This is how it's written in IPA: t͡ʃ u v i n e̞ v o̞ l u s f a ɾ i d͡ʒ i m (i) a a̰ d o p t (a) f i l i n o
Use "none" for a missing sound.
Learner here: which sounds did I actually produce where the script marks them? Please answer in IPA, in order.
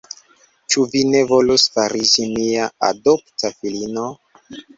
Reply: i, a

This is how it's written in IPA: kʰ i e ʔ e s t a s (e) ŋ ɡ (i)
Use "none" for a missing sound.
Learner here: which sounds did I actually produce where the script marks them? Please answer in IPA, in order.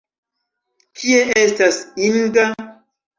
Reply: i, a

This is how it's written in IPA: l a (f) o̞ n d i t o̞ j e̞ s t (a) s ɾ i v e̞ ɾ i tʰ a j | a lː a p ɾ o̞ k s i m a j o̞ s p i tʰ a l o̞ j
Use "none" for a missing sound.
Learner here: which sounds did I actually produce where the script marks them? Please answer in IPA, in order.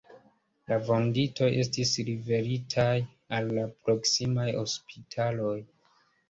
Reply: v, i

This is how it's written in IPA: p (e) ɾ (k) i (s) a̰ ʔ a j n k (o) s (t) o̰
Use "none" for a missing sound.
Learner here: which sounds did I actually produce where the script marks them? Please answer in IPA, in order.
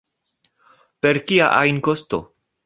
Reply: e, k, none, o, t

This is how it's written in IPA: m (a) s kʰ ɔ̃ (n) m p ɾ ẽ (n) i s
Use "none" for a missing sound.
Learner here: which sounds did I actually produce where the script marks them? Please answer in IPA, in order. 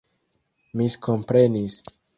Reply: i, none, n

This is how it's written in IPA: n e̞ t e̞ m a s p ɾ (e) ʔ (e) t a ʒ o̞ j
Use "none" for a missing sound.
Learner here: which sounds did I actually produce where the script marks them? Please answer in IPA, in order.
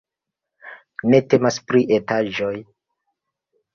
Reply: i, e

